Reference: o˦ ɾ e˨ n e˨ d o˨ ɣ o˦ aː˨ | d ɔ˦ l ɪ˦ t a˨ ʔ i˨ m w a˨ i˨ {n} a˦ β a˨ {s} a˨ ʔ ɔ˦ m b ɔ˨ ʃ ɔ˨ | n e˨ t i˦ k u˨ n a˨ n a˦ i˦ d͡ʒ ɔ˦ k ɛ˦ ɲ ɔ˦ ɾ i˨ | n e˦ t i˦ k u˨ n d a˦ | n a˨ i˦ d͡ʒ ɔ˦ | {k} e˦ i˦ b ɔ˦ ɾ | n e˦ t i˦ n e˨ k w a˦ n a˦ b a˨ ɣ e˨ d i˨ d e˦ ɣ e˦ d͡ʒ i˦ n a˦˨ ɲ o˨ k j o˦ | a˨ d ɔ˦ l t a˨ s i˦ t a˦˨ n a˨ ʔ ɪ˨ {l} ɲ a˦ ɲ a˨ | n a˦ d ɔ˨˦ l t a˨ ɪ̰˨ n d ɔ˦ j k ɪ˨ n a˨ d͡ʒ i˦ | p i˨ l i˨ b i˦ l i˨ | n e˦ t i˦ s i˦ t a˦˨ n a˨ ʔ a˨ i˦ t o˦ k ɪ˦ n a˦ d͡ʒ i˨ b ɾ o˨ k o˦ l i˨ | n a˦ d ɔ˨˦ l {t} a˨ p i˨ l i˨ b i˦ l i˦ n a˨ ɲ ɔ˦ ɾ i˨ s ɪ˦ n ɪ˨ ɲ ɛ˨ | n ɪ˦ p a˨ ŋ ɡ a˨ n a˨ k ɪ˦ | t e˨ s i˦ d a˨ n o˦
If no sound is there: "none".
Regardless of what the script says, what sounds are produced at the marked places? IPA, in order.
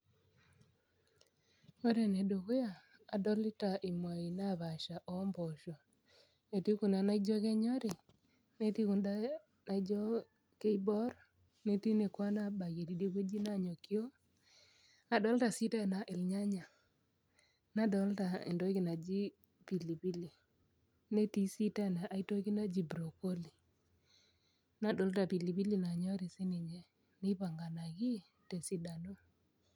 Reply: n, ʃ, k, l, t

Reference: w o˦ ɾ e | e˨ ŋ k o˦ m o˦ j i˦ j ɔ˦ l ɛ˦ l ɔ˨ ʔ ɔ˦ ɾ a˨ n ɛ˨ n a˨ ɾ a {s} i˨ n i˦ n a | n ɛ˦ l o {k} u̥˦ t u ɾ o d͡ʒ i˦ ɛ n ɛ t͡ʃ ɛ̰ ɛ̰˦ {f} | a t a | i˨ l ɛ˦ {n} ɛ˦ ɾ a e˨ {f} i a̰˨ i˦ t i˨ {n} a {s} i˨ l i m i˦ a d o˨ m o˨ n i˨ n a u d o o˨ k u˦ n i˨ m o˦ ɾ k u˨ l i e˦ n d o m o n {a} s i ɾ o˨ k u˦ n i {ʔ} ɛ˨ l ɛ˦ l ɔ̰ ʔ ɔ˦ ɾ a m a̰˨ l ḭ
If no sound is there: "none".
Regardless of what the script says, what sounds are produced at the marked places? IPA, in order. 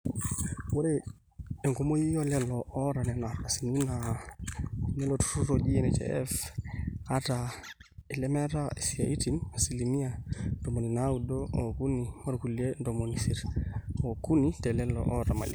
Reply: s, t, f, m, s, n, s, i, t

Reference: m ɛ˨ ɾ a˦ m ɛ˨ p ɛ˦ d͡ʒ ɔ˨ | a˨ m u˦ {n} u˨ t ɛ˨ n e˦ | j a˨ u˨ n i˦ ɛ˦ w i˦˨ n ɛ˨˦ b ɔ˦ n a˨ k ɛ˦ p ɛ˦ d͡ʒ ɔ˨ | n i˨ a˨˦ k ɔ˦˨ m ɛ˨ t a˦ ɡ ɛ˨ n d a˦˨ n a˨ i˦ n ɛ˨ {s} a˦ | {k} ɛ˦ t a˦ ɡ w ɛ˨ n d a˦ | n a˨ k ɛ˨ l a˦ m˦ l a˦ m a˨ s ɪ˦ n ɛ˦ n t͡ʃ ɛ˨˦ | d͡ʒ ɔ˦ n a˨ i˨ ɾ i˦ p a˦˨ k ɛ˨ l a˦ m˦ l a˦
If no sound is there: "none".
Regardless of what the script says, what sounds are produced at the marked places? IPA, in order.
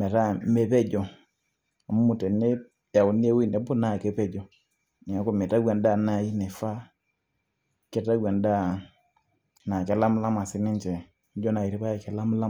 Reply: m, f, k

